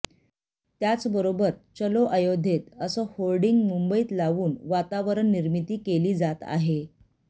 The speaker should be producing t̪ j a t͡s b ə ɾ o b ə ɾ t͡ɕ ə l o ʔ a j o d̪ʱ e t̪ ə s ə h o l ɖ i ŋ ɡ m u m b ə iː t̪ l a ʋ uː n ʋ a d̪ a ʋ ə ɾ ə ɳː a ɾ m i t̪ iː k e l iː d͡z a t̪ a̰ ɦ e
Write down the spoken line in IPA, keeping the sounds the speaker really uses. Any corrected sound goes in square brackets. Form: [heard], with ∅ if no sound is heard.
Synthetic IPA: t̪ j a t͡s b ə ɾ o b ə ɾ t͡ɕ ə l o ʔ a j o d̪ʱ e t̪ ə s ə h o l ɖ i ŋ ɡ m u m b ə iː t̪ l a ʋ uː n ʋ a [t̪] a ʋ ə ɾ ə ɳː [i] ɾ m i t̪ iː k e l iː d͡z a t̪ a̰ ɦ e